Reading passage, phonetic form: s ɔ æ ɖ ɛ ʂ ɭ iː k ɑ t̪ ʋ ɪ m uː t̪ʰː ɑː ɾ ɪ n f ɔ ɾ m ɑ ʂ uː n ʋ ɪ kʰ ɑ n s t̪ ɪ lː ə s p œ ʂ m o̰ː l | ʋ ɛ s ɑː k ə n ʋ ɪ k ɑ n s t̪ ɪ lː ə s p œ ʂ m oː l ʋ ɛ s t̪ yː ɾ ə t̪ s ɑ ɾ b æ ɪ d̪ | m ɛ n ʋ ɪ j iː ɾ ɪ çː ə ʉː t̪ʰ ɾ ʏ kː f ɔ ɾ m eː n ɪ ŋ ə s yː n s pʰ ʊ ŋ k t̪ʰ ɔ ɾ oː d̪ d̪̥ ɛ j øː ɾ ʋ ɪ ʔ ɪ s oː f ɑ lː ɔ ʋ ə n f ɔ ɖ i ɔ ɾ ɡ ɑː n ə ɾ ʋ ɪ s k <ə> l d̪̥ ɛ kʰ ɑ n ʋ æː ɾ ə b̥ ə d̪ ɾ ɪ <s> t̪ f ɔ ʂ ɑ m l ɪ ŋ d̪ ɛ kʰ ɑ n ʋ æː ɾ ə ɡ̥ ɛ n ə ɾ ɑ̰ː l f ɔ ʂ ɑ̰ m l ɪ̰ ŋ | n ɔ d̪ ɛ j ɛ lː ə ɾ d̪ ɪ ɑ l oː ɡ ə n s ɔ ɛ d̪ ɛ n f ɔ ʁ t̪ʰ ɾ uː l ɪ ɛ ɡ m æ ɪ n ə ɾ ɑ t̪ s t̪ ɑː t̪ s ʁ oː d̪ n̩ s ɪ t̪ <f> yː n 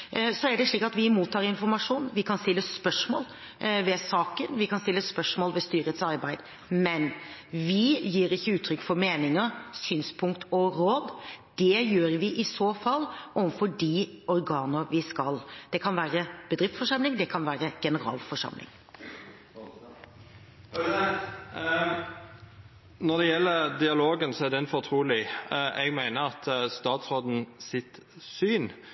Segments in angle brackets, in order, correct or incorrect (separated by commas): incorrect, incorrect, incorrect